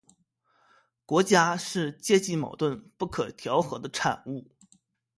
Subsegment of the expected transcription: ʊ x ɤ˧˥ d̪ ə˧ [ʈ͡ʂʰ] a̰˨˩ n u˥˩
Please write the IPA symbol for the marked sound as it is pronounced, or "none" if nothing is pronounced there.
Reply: ʈ͡ʂʰ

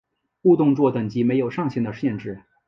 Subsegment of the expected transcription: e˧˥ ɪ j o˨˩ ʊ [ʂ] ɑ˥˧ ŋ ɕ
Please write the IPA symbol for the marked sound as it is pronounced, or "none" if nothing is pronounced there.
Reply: ʂ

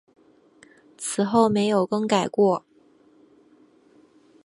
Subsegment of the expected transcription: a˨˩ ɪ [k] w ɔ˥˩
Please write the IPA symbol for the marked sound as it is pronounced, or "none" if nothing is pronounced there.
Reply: k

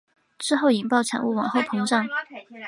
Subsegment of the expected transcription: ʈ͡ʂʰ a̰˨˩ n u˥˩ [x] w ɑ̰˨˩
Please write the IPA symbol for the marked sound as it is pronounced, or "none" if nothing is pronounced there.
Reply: none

